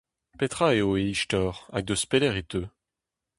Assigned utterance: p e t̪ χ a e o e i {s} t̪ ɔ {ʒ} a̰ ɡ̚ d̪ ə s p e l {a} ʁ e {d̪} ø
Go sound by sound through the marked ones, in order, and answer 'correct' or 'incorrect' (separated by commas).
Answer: incorrect, incorrect, incorrect, incorrect